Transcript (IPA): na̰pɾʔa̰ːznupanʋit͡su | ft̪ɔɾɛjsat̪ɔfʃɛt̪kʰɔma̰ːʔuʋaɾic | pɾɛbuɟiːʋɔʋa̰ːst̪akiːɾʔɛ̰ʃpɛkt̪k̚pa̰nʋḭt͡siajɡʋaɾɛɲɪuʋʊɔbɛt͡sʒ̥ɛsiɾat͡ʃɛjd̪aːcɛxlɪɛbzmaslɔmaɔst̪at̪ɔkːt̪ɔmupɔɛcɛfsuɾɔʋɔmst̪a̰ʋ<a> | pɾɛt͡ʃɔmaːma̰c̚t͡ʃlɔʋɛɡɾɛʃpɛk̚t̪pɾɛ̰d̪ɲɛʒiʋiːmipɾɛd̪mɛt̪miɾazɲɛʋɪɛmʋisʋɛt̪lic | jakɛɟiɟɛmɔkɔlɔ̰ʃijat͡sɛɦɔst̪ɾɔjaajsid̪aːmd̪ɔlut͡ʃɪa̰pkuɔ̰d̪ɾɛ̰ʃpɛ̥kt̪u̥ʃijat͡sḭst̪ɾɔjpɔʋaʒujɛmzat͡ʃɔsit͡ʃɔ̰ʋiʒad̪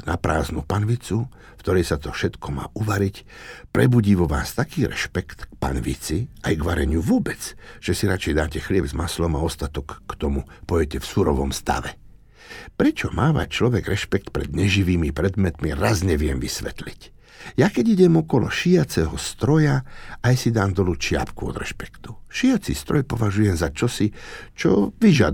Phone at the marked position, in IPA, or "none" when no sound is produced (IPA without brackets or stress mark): ɛ